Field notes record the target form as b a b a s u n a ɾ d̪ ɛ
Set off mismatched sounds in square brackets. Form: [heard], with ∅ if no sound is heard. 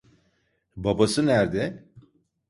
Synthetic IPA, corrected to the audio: b a b a s [ɯ] n [æ] ɾ d̪ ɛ